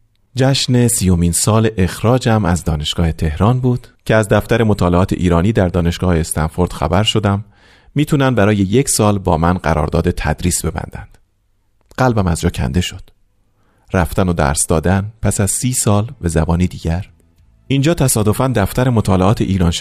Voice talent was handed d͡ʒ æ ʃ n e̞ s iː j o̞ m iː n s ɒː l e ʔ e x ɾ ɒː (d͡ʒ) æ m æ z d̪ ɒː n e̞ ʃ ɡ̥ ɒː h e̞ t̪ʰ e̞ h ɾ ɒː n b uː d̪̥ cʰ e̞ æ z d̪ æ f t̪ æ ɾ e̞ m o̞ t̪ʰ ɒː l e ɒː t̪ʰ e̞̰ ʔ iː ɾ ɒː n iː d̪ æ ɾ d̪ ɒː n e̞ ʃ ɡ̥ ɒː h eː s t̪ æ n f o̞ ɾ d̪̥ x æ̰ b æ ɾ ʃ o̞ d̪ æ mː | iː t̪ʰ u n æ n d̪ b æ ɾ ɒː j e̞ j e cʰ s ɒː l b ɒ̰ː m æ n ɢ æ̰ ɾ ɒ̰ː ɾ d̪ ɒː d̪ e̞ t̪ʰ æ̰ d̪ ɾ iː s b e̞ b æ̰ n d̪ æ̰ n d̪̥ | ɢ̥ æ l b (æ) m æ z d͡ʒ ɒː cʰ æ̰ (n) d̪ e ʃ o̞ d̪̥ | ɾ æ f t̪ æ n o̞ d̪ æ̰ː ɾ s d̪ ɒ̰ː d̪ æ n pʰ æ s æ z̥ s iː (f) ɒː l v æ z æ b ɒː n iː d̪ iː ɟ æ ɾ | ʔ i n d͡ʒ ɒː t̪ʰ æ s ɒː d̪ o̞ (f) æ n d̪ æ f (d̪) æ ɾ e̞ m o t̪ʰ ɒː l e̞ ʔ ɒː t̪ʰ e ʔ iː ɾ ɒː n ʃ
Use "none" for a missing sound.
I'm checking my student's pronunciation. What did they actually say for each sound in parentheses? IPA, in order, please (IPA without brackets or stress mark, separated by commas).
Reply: d͡ʒ, æ, n, s, f, t̪